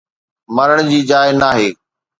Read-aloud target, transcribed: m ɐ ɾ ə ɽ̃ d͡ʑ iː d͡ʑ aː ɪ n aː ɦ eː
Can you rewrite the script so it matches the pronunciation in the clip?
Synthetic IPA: m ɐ ɾ ə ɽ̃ d͡ʑ iː d͡ʑ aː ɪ n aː ɦ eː